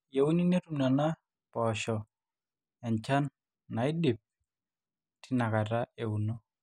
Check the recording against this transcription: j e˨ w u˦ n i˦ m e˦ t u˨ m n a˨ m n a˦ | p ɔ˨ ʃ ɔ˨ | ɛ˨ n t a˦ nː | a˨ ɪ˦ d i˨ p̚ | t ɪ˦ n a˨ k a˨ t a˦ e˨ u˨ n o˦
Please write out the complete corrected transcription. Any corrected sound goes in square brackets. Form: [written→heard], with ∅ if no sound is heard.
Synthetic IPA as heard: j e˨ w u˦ n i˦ [m→n] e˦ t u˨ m n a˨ [m→∅] n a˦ | p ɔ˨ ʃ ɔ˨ | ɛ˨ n [t→t͡ʃ] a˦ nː | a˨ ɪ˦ d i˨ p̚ | t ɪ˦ n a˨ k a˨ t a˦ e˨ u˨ n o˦